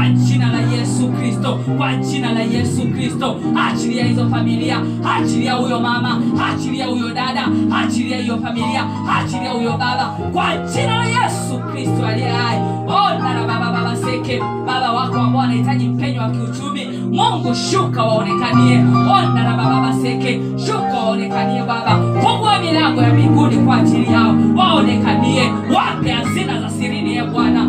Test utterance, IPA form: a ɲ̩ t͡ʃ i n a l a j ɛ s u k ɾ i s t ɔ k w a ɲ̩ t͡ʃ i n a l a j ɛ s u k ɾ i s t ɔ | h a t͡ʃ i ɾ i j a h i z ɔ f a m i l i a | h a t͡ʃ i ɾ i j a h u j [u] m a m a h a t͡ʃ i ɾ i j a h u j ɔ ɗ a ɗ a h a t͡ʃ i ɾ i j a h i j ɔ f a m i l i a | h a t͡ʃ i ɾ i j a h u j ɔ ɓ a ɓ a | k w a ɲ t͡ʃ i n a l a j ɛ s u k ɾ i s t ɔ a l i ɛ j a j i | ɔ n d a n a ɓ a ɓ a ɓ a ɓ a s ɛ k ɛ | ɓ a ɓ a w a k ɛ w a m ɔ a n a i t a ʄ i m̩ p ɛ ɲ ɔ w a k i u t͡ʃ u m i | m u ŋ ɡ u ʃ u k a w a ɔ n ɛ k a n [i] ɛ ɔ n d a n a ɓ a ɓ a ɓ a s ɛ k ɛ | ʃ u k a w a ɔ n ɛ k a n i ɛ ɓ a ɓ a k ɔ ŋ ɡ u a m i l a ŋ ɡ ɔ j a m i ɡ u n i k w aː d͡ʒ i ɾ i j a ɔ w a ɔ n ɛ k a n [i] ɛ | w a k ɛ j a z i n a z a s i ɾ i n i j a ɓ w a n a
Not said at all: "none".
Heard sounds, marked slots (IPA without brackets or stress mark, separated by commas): ɔ, i, i